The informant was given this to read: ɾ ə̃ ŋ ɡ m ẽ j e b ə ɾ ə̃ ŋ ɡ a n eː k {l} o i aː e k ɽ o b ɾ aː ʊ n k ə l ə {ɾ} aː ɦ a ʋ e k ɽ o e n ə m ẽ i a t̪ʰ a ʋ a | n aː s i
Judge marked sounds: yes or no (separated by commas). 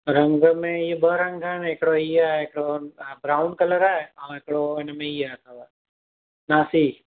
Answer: no, yes